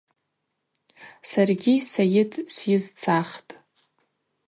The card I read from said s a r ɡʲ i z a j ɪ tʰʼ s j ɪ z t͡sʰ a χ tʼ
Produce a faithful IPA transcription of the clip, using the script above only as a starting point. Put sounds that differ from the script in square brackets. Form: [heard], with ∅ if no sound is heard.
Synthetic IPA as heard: s a r ɡʲ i [s] a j ɪ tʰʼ s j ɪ z t͡sʰ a χ tʼ